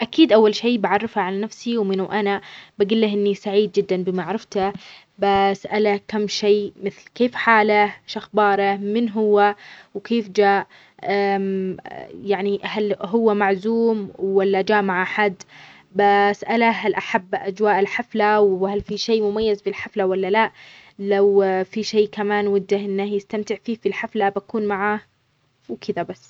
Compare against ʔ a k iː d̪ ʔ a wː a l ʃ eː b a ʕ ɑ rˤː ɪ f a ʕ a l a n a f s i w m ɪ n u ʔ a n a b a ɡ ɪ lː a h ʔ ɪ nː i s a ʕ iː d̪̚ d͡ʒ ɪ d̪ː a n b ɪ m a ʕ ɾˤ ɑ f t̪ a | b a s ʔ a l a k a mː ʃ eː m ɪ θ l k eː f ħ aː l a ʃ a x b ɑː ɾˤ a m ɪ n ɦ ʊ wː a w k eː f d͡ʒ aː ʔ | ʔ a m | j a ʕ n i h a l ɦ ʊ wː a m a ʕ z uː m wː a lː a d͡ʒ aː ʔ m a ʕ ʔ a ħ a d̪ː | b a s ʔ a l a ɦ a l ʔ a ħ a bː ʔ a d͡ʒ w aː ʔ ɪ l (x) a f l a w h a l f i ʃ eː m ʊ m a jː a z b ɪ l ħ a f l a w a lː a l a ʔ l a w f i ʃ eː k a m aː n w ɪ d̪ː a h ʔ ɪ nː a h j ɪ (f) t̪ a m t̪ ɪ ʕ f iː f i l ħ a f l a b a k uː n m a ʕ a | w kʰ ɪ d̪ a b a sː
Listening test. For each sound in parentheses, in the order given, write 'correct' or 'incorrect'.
incorrect: ħ, incorrect: s

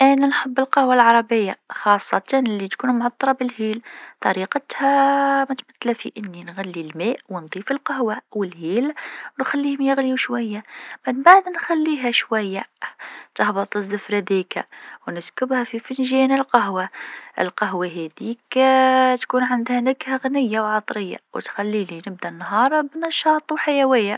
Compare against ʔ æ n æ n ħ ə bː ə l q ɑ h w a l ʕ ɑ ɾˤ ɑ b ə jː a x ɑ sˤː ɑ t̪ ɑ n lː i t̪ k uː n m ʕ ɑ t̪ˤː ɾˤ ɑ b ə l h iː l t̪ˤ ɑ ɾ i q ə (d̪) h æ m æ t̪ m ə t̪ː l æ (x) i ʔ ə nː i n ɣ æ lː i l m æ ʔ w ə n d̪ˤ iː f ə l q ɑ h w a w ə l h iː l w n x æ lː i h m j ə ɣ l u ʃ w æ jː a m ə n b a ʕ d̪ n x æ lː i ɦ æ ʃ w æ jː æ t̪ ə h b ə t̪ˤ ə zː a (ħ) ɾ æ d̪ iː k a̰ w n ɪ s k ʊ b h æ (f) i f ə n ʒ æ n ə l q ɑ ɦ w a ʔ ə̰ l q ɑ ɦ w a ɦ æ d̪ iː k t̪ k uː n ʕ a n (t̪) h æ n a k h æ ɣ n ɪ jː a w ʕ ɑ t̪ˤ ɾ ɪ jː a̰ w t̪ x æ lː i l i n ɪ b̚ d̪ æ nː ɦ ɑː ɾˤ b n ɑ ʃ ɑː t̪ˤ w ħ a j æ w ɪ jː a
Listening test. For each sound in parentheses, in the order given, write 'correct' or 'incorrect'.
incorrect: t̪, incorrect: f, incorrect: f, correct, incorrect: d̪

